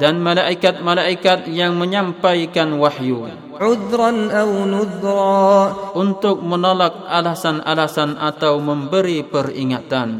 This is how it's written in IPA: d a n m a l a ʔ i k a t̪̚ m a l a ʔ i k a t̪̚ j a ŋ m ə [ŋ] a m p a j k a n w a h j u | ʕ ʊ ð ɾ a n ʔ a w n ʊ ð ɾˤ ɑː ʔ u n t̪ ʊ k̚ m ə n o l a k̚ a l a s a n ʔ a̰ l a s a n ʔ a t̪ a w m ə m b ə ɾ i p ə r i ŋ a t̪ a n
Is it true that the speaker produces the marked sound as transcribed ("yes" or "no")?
no